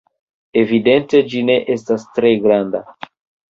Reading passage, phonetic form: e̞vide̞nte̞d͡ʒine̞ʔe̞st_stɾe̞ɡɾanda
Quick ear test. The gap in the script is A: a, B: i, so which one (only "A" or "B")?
A